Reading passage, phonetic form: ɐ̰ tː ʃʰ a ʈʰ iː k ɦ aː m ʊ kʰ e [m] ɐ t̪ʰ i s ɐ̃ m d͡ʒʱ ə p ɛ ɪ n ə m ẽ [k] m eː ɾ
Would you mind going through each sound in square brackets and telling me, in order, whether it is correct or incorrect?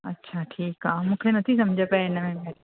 incorrect: n, incorrect: none

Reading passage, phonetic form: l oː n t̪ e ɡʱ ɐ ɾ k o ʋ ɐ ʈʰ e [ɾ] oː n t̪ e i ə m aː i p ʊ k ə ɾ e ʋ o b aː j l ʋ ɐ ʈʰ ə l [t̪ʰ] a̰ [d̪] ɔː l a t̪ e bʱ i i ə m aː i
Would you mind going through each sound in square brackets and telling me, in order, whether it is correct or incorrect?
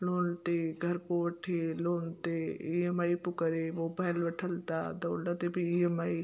incorrect: l, incorrect: t̪, correct

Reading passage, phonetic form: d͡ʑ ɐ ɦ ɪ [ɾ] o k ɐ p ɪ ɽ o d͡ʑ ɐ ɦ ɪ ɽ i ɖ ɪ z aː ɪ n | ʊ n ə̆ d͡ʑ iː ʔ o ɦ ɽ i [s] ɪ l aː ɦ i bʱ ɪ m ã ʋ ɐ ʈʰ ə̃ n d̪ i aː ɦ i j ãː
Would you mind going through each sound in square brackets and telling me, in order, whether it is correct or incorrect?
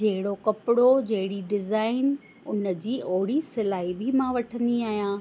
incorrect: ɽ, correct

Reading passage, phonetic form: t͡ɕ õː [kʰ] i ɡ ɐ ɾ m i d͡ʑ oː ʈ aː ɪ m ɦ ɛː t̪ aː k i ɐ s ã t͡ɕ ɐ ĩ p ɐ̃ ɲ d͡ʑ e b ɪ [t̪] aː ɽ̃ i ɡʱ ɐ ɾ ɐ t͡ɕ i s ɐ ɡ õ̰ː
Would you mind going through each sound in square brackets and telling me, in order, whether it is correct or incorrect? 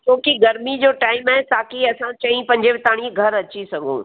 incorrect: k, correct

